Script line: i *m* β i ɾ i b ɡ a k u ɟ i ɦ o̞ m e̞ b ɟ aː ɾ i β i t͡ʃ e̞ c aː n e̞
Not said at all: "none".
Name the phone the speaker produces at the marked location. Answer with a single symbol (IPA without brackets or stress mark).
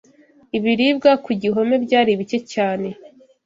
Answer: none